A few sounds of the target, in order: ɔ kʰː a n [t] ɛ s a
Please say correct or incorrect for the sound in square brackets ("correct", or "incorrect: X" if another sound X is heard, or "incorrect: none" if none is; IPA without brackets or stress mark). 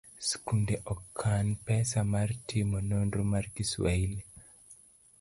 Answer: incorrect: p